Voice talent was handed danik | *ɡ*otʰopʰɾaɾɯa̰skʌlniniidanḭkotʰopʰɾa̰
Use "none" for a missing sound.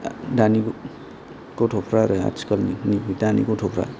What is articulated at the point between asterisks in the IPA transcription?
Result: k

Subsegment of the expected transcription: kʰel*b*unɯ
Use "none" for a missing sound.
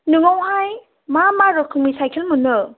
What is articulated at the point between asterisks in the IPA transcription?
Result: m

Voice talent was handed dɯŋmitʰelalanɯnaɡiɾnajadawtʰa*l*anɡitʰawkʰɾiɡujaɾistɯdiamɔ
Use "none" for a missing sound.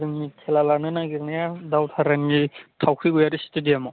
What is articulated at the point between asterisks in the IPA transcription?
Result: ɾ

